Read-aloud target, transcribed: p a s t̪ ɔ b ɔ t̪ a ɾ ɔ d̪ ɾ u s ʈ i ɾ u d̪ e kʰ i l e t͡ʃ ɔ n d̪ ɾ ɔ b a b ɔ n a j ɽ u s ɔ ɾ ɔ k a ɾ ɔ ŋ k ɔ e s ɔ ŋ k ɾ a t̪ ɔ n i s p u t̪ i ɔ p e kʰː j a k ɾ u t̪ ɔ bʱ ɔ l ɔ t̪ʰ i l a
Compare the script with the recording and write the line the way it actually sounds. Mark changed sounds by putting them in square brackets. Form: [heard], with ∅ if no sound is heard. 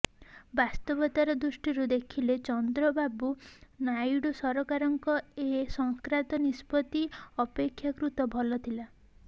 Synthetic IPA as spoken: [b] a s t̪ ɔ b ɔ t̪ a ɾ ɔ d̪ ɾ u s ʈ i ɾ u d̪ e kʰ i l e t͡ʃ ɔ n d̪ ɾ ɔ b a b [u] n a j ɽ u s ɔ ɾ ɔ k a ɾ ɔ ŋ k ɔ e s ɔ ŋ k ɾ a t̪ ɔ n i s p [ɔ] t̪ i ɔ p e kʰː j a k ɾ u t̪ ɔ bʱ ɔ l ɔ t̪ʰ i l a

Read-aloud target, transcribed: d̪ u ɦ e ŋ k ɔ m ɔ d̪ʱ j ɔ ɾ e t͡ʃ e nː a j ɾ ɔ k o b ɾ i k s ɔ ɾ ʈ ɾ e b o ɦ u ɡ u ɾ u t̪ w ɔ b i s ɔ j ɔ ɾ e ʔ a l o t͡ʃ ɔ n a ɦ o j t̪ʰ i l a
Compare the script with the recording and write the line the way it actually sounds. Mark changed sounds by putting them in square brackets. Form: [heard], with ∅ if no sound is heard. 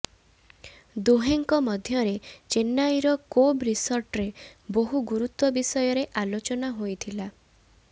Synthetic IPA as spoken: d̪ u ɦ e ŋ k ɔ m ɔ d̪ʱ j ɔ ɾ e t͡ʃ e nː a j ɾ ɔ k o b ɾ i [∅] s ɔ ɾ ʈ ɾ e b o ɦ u ɡ u ɾ u t̪ w ɔ b i s ɔ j ɔ ɾ e ʔ a l o t͡ʃ ɔ n a ɦ o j t̪ʰ i l a

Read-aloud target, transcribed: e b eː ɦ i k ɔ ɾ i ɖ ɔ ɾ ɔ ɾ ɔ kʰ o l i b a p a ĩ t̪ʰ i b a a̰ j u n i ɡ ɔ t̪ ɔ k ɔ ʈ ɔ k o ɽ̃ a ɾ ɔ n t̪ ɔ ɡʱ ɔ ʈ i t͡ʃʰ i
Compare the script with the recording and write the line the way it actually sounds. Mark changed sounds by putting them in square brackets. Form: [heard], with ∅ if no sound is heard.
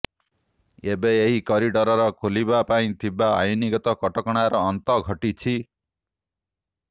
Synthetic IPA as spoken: e b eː ɦ i k ɔ ɾ i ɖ ɔ ɾ ɔ ɾ ɔ kʰ o l i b a p a ĩ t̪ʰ i b a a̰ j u n i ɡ ɔ t̪ ɔ k ɔ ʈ ɔ k [ɔ] ɽ̃ a ɾ [ɔː] n t̪ ɔ ɡʱ ɔ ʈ i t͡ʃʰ i

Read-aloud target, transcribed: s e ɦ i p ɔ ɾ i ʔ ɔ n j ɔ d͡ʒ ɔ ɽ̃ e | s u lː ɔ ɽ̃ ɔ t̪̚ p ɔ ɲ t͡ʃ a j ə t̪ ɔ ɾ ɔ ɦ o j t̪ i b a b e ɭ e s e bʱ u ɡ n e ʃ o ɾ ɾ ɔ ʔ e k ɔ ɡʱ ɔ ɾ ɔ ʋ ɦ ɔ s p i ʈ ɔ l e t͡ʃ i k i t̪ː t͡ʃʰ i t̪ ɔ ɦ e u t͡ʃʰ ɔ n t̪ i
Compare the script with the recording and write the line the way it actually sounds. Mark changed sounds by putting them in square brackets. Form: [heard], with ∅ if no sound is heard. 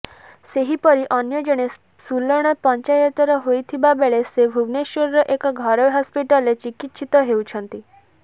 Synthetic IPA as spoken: s e ɦ i p ɔ ɾ i ʔ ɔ n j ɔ d͡ʒ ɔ ɽ̃ e | s u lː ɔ ɽ̃ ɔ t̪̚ p ɔ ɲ t͡ʃ a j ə t̪ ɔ ɾ ɔ ɦ o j [t̪ʰ] i b a b e ɭ e s e bʱ u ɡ n e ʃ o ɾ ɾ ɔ ʔ e k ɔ ɡʱ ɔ ɾ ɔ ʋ ɦ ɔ s p i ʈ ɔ l e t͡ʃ i k i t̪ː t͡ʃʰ i t̪ ɔ ɦ e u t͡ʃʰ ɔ n t̪ i

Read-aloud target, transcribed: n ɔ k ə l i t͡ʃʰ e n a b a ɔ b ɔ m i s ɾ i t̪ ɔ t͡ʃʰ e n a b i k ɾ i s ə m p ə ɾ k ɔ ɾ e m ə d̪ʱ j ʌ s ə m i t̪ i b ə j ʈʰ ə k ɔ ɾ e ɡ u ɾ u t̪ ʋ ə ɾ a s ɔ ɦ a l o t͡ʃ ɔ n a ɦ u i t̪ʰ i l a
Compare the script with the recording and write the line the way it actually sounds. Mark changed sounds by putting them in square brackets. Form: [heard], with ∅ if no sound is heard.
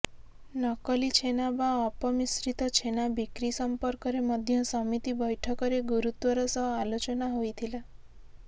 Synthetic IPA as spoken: n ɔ k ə l i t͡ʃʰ e n a b a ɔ [p] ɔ m i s ɾ i t̪ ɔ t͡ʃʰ e n a b i k ɾ i s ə m p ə ɾ k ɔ ɾ e m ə d̪ʱ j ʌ s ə m i t̪ i b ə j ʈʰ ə k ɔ ɾ e ɡ u ɾ u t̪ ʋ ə ɾ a s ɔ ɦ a l o t͡ʃ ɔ n a ɦ [o] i t̪ʰ i l a

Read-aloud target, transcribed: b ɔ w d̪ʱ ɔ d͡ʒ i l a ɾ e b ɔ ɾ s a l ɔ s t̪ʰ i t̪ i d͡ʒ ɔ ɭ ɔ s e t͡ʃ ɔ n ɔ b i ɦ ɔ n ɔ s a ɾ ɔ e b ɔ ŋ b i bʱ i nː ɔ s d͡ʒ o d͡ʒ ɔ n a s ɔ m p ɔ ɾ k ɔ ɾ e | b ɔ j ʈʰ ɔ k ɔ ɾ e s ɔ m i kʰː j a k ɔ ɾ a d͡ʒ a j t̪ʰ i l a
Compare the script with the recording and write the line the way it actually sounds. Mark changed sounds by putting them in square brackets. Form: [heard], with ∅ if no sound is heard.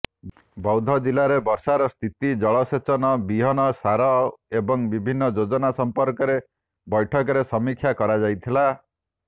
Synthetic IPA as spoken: b ɔ w d̪ʱ ɔ d͡ʒ i l a ɾ e b ɔ ɾ s a [ɾ] ɔ s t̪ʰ i t̪ i d͡ʒ ɔ ɭ ɔ s e t͡ʃ ɔ n ɔ b i ɦ ɔ n ɔ s a ɾ ɔ e b ɔ ŋ b i bʱ i nː ɔ [∅] d͡ʒ o d͡ʒ ɔ n a s ɔ m p ɔ ɾ k ɔ ɾ e | b ɔ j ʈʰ ɔ k ɔ ɾ e s ɔ m i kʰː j a k ɔ ɾ a d͡ʒ a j t̪ʰ i l a

